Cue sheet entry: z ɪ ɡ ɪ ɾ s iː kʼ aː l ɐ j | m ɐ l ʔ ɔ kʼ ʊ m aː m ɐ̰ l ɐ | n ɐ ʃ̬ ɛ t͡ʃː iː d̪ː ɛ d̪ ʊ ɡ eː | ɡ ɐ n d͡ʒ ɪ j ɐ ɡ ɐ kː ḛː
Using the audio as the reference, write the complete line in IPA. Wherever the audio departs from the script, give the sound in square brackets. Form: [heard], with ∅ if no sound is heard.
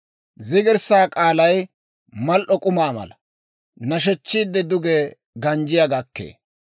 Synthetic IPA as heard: z ɪ ɡ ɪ ɾ s [aː] kʼ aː l ɐ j | m ɐ l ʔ ɔ kʼ ʊ m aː m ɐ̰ l ɐ | n ɐ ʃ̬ ɛ t͡ʃː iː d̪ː ɛ d̪ ʊ ɡ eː | ɡ ɐ n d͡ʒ ɪ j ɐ ɡ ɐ kː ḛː